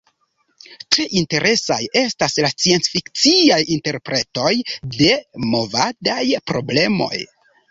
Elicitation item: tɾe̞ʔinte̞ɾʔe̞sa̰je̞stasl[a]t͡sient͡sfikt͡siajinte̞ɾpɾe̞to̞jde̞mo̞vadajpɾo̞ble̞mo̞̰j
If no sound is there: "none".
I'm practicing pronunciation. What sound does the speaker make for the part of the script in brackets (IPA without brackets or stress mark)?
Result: a